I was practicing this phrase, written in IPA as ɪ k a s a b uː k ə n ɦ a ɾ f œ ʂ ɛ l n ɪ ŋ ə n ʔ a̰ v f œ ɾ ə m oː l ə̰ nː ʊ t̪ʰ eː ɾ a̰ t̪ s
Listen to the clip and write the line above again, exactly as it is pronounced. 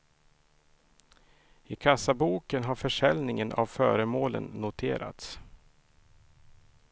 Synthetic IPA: ɪ kʰ a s a b uː k ə n ɦ a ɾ f œ ʂ ɛ l n ɪ ŋ ə n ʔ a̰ v f œː ɾ ə m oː l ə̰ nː ʊ t̪ʰ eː ɾ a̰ t̪ s